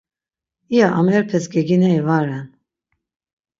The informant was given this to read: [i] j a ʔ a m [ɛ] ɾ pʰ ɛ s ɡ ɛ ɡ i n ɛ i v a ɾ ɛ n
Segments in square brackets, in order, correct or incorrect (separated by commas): correct, correct